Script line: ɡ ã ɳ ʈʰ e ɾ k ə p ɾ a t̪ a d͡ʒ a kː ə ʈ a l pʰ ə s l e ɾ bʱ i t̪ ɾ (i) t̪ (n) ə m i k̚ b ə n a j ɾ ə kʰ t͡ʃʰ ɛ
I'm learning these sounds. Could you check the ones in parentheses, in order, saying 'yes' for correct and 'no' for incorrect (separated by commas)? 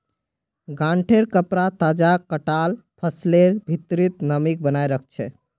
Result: yes, yes